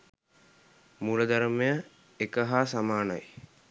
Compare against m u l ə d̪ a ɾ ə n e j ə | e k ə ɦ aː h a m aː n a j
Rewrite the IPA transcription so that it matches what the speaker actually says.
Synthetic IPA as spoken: m u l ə d̪ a ɾ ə m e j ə | e k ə ɦ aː s a m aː n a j